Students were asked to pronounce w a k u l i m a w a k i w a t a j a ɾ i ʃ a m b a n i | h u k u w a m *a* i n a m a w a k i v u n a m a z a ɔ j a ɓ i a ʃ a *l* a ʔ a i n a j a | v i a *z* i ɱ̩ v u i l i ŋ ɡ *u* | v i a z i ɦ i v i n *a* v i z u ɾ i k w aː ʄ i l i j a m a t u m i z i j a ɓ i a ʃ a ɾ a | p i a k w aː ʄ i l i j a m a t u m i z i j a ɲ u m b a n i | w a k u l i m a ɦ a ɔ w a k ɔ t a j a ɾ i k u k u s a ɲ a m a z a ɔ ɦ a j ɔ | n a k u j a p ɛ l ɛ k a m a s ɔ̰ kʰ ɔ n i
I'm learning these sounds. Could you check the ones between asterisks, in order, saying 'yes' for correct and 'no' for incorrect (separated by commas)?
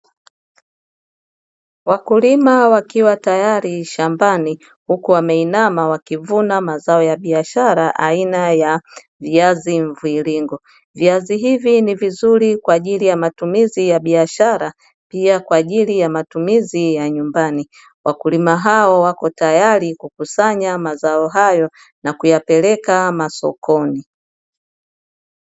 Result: no, no, yes, no, no